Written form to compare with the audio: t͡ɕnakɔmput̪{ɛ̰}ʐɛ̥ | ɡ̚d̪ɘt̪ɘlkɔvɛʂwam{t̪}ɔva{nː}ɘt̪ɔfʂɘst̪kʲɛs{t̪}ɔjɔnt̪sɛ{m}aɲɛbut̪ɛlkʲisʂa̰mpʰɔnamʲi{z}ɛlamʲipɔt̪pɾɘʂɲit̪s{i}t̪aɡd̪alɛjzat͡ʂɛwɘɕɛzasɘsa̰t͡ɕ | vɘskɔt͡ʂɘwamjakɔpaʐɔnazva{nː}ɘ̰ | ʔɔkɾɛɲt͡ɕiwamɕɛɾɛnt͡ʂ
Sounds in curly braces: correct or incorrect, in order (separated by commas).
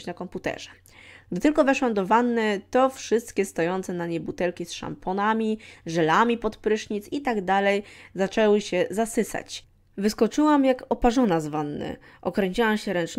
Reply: correct, incorrect, correct, correct, incorrect, incorrect, correct, correct